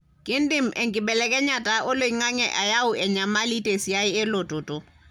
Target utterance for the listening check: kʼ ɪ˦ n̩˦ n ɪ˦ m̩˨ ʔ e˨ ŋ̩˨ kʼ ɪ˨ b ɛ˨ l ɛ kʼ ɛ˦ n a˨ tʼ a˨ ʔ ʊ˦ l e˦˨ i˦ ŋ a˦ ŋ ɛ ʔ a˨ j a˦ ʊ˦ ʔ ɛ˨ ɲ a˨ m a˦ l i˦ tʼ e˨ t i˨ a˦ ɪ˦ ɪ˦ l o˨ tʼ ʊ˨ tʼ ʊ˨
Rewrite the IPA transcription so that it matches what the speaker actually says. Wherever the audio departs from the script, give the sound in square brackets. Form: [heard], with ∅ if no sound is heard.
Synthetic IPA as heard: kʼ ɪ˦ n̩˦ [d] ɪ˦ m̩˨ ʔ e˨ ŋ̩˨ kʼ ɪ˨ b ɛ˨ l ɛ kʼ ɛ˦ [ɲ] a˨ tʼ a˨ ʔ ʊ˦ l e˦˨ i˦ ŋ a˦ ŋ ɛ ʔ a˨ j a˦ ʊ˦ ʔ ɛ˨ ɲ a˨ m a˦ l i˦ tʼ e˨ [s] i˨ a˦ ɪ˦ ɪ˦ l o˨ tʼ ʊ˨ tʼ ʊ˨